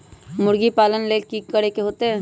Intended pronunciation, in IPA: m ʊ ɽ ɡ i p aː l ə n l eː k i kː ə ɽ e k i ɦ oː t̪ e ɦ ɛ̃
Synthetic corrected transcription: m ʊ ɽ ɡ i p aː l ə n l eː k i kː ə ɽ e k e ɦ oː t̪ e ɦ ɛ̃